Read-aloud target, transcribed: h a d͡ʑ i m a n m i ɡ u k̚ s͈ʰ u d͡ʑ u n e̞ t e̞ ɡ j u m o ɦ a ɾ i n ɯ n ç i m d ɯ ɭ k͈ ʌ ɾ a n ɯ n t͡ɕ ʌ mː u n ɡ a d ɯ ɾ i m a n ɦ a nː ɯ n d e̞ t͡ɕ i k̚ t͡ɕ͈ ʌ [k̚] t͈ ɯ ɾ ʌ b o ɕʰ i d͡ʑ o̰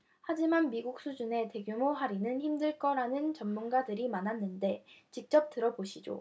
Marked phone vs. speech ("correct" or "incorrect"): incorrect